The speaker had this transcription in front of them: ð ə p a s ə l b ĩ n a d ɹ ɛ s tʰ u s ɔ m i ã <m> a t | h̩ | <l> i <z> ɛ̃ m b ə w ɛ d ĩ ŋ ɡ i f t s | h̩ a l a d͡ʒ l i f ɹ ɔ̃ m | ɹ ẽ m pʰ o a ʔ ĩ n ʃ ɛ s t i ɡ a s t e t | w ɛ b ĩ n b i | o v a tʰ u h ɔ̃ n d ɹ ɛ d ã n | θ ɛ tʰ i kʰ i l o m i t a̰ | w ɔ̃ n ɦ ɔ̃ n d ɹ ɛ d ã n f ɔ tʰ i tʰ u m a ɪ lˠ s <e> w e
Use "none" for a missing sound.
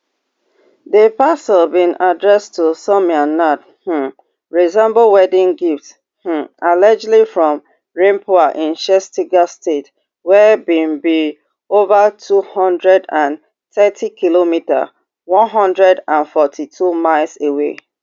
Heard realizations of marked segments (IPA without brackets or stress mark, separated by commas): n, ɹ, z, e